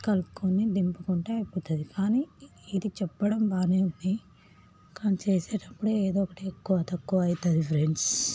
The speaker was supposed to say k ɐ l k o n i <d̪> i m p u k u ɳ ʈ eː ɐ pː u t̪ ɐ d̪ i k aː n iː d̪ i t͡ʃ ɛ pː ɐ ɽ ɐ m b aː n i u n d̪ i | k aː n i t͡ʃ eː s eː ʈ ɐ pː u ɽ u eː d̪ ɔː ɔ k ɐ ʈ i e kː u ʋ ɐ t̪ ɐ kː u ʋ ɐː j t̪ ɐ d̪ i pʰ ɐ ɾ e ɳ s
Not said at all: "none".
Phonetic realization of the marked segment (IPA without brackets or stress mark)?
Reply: d̪